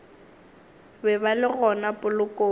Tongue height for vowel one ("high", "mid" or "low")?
mid